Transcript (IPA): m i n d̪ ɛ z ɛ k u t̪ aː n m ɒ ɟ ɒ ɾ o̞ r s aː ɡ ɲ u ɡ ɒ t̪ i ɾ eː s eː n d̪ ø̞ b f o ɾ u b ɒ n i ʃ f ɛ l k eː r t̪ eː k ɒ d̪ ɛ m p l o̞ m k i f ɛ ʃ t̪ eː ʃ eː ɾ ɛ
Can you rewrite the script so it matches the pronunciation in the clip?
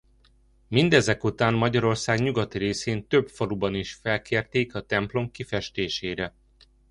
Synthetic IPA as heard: m i n d̪ ɛ z ɛ k u t̪ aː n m ɒ ɟ ɒ ɾ o̞ r s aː ɡ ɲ u ɡ ɒ t̪ i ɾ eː s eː n t̪ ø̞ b f o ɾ u b ɒ n i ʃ f ɛ l k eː r t̪ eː k ɒ t̪ ɛ m p l o̞ m k i f ɛ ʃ t̪ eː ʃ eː ɾ ɛ